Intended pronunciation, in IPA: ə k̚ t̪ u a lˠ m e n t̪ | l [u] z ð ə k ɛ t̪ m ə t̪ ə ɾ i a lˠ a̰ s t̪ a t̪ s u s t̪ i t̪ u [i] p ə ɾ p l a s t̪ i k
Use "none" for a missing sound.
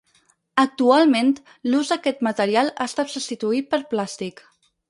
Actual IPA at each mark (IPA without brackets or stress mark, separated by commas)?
u, i